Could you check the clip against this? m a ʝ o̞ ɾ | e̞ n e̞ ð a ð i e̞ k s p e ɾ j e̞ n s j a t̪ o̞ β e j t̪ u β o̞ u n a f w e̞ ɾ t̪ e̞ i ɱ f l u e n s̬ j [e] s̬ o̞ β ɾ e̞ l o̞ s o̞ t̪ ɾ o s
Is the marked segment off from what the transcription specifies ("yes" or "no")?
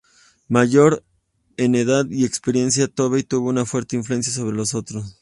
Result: yes